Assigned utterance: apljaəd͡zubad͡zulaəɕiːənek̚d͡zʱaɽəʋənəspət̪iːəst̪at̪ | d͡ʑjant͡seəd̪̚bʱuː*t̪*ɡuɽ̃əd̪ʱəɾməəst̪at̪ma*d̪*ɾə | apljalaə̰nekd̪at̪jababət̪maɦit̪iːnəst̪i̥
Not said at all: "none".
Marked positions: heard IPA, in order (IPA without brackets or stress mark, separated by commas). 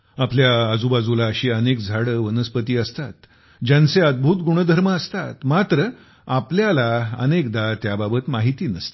t̪, t̪